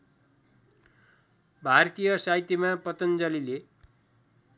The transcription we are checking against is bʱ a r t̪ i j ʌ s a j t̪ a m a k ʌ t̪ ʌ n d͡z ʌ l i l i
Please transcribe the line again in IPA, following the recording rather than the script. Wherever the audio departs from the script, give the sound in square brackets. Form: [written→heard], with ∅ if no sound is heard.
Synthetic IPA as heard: bʱ a r t̪ i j ʌ s a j t̪ [a→i] m a [k→p] ʌ t̪ ʌ n d͡z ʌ l i l [i→e]